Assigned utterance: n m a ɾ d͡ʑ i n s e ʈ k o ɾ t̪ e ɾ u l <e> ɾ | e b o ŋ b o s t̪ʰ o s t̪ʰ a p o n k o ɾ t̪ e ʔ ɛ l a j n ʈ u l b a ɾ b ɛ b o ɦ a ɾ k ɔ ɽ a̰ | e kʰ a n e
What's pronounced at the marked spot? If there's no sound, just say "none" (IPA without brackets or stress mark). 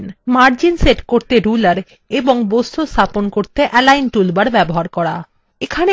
a